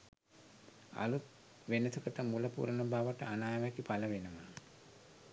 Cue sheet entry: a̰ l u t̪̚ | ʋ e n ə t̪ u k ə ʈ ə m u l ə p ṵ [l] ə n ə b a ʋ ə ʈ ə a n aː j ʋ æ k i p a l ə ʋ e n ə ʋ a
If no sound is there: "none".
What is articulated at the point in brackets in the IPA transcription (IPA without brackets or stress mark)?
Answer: ɾ